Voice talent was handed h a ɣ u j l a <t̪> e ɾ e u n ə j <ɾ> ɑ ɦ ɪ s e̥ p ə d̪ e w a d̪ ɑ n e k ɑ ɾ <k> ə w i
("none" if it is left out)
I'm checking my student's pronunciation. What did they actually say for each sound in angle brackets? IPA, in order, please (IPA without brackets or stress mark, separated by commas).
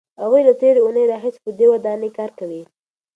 t̪, ɾ, k